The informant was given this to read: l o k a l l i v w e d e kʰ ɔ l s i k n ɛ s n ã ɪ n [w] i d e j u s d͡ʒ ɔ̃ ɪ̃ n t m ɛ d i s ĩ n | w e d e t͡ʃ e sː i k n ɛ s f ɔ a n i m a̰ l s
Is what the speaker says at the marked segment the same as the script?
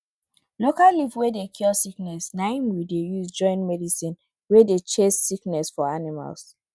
yes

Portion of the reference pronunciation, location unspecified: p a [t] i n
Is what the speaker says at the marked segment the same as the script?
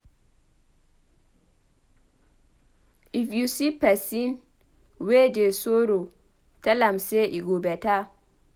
no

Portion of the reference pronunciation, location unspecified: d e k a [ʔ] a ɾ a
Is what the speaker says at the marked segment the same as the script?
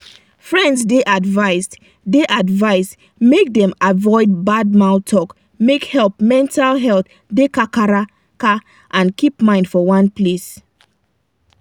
no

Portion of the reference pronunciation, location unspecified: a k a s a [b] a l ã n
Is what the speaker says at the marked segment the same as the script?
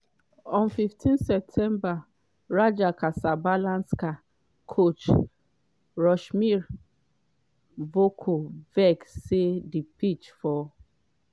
yes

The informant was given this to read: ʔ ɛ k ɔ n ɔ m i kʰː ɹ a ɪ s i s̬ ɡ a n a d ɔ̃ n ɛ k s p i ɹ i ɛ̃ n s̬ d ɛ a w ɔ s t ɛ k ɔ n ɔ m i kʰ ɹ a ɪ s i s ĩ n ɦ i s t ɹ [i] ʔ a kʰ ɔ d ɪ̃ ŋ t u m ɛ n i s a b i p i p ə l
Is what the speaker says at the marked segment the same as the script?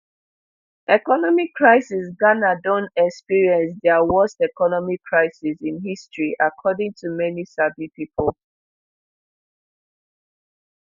yes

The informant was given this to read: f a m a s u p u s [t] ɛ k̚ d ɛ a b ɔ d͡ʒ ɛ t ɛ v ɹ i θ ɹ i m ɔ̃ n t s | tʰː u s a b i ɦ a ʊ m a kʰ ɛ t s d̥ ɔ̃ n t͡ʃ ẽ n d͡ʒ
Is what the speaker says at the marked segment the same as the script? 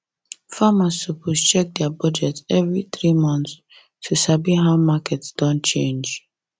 no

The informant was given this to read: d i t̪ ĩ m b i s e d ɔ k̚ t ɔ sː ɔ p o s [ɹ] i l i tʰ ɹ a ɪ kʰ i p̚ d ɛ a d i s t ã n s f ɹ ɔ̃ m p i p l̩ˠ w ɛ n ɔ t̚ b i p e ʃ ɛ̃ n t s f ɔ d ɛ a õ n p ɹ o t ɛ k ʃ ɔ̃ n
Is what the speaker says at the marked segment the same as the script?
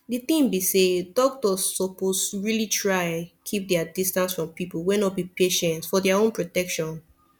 yes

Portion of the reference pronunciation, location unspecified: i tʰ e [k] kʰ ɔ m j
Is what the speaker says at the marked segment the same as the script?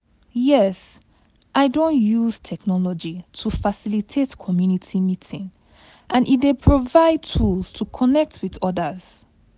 no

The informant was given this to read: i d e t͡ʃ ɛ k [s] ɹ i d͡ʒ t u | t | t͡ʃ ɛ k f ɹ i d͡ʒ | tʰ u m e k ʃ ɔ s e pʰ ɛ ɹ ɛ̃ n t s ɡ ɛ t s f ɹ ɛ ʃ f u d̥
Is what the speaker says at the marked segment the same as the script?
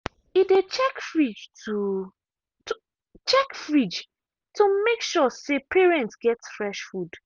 no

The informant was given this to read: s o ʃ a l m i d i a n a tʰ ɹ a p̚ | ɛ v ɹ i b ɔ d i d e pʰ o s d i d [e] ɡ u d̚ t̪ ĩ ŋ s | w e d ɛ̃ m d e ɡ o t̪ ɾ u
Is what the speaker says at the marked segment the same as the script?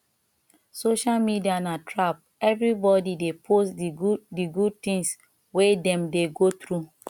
no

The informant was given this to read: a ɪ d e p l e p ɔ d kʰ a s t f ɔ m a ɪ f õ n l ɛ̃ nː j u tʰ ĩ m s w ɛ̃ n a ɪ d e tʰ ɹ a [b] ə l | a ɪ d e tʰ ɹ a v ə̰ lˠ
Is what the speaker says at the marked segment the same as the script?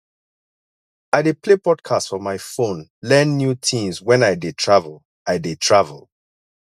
no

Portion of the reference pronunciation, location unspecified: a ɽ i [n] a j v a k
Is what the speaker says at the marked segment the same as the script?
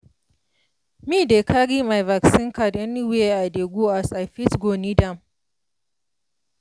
no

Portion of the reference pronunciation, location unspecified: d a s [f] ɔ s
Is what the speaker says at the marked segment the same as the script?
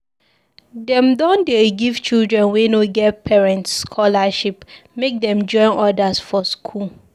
yes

